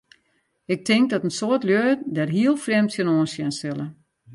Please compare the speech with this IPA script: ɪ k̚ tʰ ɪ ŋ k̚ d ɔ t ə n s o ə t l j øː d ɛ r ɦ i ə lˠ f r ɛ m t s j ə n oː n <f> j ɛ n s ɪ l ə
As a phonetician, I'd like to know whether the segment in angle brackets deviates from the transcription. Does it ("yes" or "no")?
yes